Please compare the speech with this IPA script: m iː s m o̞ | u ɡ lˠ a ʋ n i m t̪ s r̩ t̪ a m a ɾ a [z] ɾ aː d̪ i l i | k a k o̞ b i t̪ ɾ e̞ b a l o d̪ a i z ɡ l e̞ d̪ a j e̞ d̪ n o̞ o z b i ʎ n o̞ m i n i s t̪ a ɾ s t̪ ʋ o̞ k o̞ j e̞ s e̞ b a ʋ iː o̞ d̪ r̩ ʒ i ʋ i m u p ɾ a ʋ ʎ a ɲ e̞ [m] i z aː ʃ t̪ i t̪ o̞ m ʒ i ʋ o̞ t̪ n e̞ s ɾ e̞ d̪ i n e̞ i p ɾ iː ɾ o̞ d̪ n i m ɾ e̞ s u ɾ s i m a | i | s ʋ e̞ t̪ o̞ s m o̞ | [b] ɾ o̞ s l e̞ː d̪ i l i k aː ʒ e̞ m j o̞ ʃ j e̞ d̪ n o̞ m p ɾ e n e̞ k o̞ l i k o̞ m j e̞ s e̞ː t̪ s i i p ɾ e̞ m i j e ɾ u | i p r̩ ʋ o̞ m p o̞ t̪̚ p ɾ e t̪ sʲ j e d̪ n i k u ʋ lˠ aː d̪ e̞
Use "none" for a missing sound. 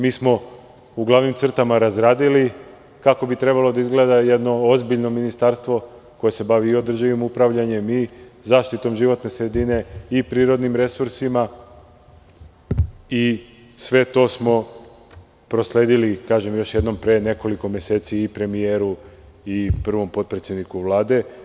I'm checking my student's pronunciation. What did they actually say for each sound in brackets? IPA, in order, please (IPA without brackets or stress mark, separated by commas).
z, m, p